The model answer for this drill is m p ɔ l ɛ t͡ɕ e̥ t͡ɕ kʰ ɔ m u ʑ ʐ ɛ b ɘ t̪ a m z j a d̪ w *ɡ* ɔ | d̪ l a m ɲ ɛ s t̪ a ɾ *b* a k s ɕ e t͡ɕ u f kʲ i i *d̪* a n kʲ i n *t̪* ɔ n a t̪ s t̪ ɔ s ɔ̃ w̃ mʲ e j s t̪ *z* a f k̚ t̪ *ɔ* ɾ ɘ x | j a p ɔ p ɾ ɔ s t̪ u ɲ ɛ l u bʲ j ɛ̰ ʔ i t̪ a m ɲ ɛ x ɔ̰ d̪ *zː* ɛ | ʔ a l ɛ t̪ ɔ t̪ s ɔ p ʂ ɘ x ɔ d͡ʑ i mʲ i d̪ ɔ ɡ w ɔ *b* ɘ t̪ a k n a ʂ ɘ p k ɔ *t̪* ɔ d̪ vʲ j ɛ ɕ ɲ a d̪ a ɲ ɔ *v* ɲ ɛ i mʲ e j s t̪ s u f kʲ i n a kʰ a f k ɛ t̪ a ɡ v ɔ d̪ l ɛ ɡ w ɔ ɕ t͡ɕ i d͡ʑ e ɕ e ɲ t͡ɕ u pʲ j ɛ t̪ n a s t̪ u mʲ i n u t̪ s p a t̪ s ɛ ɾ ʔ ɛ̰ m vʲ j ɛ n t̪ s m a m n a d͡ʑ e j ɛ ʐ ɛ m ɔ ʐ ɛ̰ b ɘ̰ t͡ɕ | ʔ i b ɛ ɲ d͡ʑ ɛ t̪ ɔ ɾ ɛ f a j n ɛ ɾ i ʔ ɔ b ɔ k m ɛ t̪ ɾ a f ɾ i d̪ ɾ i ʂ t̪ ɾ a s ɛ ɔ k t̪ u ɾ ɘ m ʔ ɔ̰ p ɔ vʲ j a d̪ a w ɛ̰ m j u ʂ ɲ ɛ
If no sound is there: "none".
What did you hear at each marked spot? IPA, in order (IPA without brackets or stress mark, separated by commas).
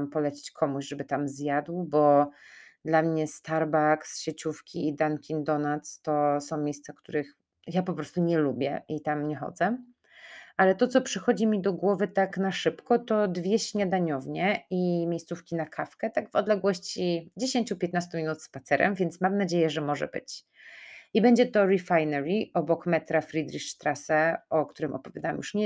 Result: b, b, d̪, d̪, s, u, z, v, t̪, v